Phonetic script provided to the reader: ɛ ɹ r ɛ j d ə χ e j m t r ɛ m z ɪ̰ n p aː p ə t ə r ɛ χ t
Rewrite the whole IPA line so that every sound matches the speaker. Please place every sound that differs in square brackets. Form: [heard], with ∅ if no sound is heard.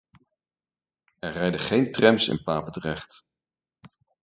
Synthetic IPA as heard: ɛ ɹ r ɛ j d ə χ e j [n] t r ɛ m [s] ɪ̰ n p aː p ə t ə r ɛ χ t